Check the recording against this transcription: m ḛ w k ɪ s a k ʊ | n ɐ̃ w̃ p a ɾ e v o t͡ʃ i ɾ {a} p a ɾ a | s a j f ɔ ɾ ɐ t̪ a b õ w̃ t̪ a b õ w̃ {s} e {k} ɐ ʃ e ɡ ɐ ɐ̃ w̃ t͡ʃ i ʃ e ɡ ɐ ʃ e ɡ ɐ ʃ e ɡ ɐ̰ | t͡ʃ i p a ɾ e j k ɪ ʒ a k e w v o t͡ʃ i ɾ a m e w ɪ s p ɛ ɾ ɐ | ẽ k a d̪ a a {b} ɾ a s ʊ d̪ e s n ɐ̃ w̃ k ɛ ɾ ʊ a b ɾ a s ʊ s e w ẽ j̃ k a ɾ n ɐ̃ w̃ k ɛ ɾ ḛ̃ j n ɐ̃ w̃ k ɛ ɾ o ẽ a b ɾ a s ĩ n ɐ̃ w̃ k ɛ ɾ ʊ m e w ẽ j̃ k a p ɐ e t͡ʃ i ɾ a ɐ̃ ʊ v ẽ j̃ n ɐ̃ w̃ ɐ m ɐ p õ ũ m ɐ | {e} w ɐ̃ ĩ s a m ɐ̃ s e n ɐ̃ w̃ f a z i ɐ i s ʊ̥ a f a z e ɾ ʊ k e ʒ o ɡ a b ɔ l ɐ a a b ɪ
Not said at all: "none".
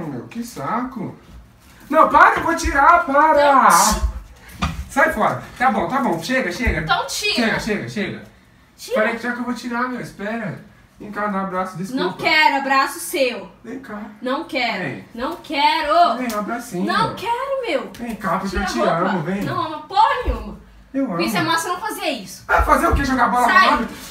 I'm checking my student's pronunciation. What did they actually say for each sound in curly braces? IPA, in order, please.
a, ʃ, ɡ, b, e

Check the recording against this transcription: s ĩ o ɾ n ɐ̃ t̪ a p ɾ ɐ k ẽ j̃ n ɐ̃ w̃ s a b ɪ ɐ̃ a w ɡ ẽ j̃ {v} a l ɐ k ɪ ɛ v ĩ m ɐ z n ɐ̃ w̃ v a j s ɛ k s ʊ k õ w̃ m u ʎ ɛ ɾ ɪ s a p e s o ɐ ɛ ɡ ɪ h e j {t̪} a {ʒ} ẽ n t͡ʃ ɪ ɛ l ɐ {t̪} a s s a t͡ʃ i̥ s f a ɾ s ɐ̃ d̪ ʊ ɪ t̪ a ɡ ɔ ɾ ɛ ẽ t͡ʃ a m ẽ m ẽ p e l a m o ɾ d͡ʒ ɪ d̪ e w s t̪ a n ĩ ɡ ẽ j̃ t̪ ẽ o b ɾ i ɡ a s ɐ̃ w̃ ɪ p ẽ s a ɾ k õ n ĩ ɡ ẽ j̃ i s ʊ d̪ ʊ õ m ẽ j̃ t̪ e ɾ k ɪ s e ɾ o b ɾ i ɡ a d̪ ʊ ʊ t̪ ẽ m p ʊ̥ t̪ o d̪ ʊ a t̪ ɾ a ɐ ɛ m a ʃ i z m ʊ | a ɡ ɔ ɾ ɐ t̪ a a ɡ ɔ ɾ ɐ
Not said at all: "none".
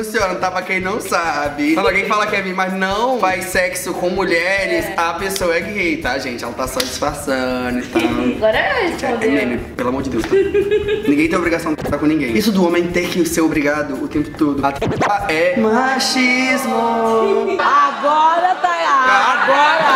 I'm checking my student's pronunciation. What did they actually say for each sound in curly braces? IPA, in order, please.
f, t̪, ʒ, t̪

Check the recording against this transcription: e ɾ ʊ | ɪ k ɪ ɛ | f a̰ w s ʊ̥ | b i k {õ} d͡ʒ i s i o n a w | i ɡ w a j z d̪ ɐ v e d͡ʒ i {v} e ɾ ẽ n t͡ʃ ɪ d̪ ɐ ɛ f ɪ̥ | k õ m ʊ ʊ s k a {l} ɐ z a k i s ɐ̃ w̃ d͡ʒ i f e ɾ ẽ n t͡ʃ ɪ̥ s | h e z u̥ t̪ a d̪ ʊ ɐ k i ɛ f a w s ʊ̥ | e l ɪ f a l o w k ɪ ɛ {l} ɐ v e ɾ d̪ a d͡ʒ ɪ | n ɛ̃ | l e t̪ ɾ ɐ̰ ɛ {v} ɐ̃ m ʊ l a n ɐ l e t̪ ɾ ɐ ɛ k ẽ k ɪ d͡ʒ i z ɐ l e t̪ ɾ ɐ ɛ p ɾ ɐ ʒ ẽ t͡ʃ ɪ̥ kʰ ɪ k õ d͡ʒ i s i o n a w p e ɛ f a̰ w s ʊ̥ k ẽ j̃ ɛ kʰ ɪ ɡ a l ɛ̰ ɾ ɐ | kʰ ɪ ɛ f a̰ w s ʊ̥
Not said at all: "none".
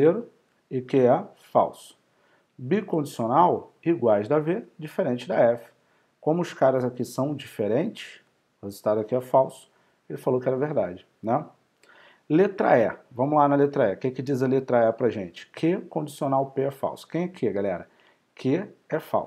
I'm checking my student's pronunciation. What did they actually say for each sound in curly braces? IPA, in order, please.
õ, f, ɾ, ɾ, v

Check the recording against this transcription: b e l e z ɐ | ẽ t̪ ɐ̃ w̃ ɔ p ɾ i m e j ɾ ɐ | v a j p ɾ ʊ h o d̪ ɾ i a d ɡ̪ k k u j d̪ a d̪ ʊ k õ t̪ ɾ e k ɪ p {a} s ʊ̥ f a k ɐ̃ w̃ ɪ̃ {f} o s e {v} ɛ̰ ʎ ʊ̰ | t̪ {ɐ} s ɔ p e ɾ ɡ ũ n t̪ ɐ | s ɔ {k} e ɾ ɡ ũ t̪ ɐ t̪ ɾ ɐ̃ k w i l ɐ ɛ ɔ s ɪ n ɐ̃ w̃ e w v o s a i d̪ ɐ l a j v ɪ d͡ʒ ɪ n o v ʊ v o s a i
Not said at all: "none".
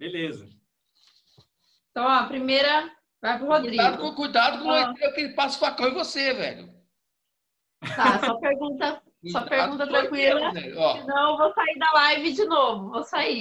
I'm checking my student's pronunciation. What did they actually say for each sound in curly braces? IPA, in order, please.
a, v, v, a, p

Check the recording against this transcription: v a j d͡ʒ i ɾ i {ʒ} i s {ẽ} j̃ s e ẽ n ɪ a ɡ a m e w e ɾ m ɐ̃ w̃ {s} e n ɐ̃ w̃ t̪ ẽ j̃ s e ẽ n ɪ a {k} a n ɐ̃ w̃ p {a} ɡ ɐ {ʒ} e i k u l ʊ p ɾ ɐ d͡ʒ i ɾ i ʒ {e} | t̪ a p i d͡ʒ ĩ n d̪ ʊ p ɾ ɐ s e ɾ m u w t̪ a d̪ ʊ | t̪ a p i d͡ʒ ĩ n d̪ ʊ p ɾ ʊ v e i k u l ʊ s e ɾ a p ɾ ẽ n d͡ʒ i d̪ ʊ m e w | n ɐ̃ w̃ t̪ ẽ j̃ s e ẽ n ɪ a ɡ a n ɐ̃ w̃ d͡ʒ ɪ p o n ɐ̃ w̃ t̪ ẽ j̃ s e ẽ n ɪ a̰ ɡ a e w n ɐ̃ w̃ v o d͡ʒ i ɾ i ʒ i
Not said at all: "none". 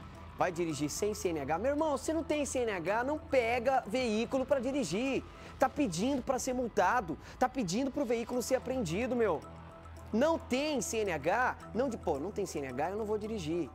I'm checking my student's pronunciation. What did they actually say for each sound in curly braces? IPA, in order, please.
ʒ, ẽ, s, ɡ, ɛ, v, i

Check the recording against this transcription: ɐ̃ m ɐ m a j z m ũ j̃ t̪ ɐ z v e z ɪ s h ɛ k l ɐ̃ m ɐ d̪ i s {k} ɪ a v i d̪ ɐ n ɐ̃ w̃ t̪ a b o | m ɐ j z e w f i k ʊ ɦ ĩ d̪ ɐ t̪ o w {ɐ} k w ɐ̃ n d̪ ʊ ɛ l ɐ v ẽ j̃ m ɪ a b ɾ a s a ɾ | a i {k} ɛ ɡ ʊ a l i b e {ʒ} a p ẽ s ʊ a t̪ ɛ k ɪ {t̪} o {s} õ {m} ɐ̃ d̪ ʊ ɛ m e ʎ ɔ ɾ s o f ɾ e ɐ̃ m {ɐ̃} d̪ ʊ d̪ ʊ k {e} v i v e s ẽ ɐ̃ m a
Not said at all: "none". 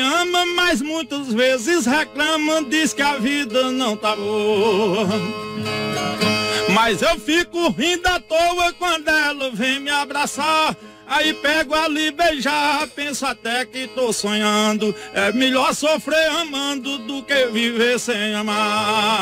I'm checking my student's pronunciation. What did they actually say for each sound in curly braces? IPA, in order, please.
k, ɐ, p, ʒ, t̪, s, ɲ, ɐ̃, e

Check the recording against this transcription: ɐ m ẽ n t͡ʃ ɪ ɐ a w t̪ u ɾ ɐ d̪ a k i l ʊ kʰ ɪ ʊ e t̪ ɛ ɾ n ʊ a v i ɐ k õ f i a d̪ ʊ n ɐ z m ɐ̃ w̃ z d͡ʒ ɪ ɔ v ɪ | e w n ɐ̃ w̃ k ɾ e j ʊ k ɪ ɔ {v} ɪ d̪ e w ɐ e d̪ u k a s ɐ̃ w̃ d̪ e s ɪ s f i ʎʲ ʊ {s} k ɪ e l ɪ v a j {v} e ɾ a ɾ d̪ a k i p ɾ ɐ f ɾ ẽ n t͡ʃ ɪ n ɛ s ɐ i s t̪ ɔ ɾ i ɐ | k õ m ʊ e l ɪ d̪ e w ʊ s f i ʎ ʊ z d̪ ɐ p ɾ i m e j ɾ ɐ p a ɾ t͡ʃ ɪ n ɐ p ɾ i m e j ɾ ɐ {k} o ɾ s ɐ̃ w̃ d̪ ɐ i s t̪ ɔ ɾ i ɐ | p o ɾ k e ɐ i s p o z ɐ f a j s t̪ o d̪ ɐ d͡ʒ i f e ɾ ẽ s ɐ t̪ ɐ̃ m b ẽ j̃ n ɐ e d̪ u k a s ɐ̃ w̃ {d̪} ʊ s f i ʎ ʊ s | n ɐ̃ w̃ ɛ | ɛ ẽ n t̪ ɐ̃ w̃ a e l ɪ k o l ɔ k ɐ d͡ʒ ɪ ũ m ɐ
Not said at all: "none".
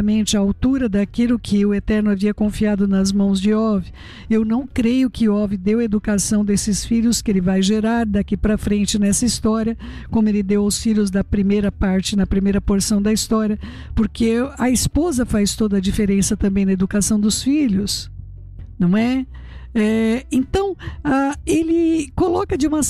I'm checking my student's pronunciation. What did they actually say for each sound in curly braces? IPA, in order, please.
v, s, ʒ, p, d̪

